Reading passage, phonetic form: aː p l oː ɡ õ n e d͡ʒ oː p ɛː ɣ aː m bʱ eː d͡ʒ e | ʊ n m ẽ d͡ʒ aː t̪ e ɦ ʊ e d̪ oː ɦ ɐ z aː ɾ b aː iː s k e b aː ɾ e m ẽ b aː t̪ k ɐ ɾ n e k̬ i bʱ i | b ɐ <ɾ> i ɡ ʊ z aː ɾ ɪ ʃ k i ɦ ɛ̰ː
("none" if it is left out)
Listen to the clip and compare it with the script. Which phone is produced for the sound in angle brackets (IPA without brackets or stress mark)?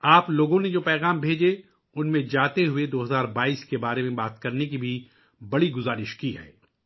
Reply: ɽ